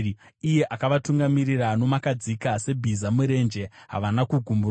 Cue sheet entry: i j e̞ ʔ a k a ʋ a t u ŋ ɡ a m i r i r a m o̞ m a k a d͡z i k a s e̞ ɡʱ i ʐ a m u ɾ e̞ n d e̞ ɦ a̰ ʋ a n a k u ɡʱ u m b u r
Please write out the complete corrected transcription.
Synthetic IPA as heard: i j e̞ ʔ a k a ʋ a t u ŋ ɡ a m i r i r a n o̞ m a k a d͡z i k a s e̞ bʱ i z a m u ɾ e̞ n d͡ʒ e̞ ɦ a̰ ʋ a n a k u ɡʱ u m b u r